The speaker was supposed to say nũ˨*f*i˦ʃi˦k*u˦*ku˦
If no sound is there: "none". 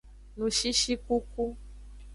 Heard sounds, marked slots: ʃ, u˦

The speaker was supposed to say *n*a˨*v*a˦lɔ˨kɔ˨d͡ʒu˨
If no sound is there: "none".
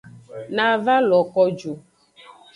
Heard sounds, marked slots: n, v

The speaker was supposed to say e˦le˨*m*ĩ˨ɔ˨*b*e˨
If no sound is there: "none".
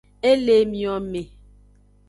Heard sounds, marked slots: m, m

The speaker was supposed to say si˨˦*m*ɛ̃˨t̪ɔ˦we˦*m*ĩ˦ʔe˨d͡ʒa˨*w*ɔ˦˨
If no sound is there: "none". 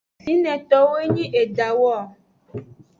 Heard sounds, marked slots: n, ɲ, w

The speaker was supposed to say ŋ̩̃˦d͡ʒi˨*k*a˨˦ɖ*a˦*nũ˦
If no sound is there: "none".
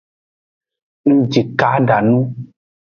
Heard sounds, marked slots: k, a˨

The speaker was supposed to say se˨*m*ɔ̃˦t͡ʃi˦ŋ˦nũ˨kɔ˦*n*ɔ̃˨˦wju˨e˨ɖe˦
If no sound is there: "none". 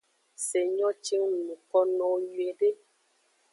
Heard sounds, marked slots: ɲ, n

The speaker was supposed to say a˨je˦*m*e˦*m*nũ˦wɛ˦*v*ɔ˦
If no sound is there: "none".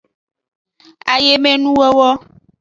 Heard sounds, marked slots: m, none, w

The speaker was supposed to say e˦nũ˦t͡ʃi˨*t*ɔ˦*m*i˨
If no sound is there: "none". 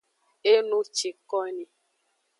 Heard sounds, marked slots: k, n

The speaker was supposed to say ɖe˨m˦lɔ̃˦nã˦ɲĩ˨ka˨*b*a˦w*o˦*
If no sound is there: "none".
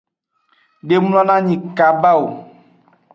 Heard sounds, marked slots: b, o˨

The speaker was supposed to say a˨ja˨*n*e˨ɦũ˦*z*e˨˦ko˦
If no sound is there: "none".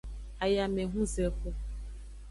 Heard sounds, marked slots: m, z

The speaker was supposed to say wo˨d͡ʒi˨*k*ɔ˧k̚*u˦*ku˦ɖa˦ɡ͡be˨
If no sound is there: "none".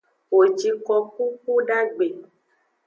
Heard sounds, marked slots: k, u˦

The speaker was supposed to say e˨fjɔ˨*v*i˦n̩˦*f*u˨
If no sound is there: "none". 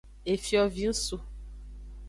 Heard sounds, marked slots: v, s

